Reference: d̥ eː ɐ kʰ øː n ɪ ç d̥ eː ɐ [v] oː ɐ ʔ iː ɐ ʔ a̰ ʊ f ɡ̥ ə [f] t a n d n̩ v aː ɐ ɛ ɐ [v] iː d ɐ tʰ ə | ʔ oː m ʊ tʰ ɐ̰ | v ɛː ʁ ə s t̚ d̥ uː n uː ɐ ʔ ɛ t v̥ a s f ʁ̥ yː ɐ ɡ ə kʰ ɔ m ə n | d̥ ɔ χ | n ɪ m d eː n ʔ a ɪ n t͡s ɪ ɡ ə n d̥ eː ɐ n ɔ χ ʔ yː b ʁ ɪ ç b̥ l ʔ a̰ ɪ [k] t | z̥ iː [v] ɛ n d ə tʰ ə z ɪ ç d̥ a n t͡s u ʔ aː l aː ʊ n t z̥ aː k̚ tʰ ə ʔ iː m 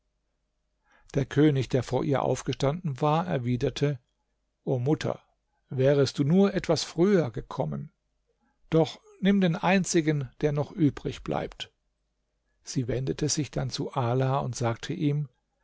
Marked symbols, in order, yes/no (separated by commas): no, no, yes, no, yes